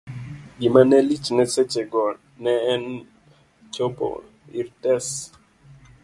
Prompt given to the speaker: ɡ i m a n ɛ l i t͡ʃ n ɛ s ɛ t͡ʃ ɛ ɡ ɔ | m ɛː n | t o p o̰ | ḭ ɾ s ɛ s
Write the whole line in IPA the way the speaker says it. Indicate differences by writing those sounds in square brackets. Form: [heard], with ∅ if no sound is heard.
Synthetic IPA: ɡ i m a n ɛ l i t͡ʃ n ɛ s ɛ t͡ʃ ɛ ɡ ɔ | [n] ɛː n | [t͡ʃ] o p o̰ | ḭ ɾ [t] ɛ s